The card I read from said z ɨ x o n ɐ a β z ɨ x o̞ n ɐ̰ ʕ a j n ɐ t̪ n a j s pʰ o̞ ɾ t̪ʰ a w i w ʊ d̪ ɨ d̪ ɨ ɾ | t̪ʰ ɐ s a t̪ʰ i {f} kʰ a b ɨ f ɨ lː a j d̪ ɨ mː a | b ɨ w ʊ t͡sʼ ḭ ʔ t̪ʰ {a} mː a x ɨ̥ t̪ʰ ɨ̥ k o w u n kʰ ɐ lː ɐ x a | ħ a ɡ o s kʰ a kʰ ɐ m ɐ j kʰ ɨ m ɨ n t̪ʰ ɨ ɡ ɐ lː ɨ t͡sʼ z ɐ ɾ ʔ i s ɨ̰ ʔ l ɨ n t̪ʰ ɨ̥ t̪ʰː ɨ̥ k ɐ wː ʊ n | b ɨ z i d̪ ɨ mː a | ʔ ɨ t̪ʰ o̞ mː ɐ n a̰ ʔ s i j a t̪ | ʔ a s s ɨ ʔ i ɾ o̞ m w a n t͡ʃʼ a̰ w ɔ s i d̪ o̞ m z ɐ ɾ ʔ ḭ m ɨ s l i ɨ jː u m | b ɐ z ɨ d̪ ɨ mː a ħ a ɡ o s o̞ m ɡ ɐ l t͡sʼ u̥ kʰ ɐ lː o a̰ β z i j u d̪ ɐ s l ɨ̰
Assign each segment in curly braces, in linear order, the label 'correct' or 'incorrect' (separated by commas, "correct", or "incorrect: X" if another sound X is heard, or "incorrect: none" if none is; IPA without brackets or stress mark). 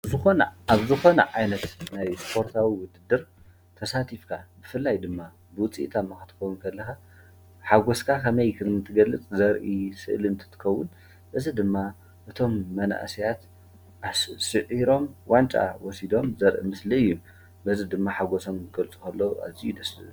correct, correct